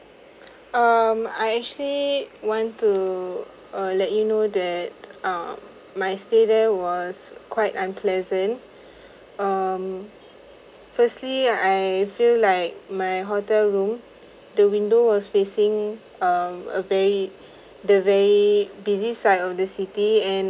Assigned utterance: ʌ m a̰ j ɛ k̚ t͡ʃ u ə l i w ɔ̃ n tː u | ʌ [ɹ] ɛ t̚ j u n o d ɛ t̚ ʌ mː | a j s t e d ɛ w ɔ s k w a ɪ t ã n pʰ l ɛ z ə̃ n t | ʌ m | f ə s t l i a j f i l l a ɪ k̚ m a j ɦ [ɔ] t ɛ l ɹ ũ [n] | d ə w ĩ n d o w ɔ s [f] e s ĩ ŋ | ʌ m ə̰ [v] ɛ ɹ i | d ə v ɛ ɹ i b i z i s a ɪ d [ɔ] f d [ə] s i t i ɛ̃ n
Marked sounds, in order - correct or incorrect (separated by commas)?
incorrect, correct, incorrect, correct, correct, correct, correct